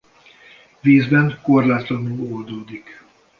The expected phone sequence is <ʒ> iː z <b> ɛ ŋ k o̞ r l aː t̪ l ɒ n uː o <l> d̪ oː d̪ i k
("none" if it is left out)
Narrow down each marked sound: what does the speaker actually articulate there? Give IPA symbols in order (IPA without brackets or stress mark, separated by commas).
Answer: v, b, l